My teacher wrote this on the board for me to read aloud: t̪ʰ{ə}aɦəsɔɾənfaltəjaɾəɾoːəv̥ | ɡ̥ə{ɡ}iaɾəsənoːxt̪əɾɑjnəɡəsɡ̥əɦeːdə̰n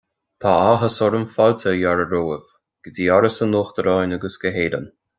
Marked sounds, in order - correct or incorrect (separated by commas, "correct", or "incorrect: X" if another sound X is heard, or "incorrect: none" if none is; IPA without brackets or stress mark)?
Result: incorrect: a, incorrect: d